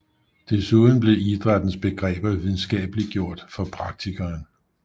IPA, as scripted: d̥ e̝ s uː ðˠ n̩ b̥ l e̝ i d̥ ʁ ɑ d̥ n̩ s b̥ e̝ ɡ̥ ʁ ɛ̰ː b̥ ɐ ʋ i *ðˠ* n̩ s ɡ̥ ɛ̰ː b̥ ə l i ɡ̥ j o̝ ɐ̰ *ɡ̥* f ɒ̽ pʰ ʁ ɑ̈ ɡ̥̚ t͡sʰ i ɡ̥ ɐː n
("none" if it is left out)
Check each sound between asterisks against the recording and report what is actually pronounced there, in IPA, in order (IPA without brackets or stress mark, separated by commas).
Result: ðˠ, d̥